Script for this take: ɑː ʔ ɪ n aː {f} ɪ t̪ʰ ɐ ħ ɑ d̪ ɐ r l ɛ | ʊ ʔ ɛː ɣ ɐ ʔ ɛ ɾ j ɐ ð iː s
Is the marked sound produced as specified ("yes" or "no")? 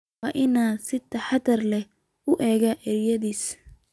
no